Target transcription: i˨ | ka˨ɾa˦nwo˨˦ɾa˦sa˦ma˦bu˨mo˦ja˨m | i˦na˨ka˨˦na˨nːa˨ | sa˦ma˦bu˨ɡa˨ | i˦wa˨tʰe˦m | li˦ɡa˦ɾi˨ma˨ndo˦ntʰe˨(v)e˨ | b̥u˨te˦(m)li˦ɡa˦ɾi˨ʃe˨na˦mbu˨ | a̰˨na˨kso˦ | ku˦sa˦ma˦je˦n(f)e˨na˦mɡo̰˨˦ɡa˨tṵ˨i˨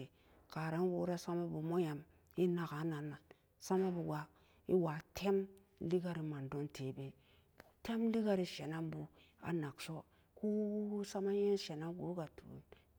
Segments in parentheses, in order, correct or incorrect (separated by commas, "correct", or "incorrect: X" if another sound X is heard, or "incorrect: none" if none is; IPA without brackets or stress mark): incorrect: b, correct, incorrect: ʃ